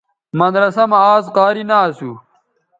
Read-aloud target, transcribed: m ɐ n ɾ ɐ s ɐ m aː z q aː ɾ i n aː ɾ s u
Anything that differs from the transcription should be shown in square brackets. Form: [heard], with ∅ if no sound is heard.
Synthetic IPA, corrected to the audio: m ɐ n ɾ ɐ s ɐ m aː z q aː ɾ i n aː [∅] s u